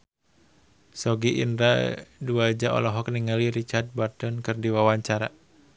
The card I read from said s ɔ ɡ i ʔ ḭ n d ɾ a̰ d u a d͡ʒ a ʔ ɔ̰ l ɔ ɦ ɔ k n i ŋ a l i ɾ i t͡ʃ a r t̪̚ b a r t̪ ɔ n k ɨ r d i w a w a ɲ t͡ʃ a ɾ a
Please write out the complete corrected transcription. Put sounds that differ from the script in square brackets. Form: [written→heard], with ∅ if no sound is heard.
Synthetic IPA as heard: s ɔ ɡ i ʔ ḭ n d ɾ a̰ d u a d͡ʒ a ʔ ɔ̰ l ɔ ɦ ɔ k n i ŋ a l i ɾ i t͡ʃ a r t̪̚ b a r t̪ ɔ n k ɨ r d i w a w a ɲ t͡ʃ a ɾ a